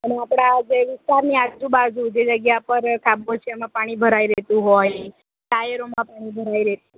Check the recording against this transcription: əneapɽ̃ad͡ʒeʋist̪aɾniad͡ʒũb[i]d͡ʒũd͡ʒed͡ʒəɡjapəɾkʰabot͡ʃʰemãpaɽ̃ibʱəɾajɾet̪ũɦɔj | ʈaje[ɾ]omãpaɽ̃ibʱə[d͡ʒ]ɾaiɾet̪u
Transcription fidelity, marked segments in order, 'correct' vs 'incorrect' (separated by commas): incorrect, correct, incorrect